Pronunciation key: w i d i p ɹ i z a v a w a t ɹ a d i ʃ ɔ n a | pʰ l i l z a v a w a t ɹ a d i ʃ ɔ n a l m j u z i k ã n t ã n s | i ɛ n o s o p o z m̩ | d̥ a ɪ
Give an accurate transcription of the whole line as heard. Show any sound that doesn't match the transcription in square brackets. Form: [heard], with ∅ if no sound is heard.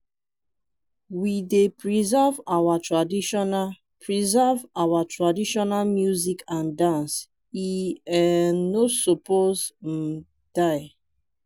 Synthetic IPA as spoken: w i d [e] p ɹ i z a v a w a t ɹ a d i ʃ ɔ n a | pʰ [ɹ] i [∅] z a v a w a t ɹ a d i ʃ ɔ n a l m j u z i k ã n [d] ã n s | i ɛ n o s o p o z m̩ | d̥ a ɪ